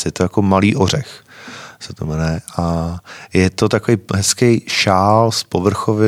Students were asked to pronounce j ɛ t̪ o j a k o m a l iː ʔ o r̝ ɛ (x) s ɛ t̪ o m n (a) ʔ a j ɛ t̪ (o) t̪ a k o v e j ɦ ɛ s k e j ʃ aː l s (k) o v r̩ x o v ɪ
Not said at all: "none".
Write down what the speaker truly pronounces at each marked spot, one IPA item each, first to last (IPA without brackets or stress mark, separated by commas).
x, ɛ, o, p